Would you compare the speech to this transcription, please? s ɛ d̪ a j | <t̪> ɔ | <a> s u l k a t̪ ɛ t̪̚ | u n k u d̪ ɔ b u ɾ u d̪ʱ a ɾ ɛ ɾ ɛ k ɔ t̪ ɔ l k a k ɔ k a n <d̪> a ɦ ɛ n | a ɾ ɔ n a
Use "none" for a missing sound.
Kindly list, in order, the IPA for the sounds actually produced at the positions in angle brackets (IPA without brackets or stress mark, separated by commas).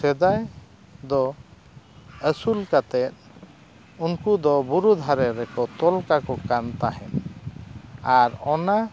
d̪, ə, t̪